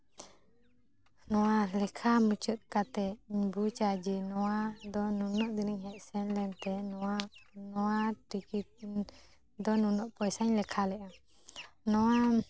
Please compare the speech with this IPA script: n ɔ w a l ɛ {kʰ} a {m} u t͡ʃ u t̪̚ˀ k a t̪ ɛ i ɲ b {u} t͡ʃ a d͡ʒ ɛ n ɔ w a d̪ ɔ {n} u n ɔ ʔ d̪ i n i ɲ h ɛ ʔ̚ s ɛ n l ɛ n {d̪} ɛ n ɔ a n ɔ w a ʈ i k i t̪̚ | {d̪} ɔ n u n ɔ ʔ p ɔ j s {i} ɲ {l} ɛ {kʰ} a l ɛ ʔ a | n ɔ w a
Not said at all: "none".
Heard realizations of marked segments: kʰ, m, u, n, t̪, d̪, a, l, kʰ

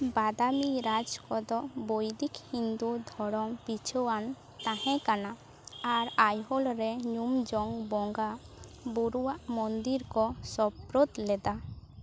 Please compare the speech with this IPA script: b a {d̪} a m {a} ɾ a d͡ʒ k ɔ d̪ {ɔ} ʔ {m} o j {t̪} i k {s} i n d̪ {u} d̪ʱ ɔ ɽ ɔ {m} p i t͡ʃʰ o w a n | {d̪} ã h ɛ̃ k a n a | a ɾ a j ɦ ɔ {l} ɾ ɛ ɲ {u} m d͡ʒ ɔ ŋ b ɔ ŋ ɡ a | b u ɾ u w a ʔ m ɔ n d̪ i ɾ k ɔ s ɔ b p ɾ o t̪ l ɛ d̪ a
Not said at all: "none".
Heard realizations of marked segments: d̪, i, ɔ, b, d̪, h, u, m, t̪, l, u

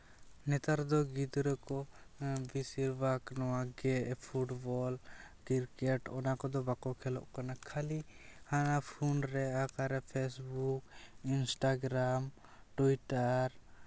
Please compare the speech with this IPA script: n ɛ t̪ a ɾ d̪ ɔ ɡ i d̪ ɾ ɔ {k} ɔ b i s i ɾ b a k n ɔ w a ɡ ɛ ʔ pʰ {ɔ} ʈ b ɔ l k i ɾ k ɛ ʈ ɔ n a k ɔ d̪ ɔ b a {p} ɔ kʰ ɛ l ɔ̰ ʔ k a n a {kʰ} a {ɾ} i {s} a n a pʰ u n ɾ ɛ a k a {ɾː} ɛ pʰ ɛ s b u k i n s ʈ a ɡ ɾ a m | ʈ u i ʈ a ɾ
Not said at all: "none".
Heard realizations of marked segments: k, u, k, kʰ, l, h, ɾ

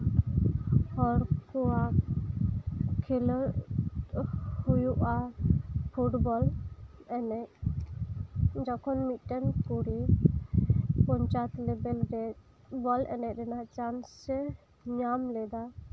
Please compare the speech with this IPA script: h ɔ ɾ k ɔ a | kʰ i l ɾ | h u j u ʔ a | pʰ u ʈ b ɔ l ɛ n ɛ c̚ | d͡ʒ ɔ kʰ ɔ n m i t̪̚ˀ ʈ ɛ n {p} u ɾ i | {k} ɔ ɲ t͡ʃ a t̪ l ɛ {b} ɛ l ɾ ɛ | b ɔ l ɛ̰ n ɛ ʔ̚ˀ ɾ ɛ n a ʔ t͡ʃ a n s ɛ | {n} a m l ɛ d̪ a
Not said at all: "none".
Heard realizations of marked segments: k, p, b, ɲ

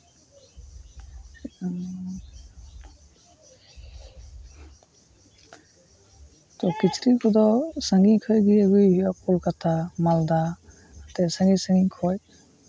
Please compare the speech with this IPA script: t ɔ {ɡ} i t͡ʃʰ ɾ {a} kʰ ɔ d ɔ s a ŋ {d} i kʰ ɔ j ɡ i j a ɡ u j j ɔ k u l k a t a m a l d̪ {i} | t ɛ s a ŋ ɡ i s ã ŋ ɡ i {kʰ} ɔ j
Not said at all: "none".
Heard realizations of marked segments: k, i, ɡ, a, kʰ

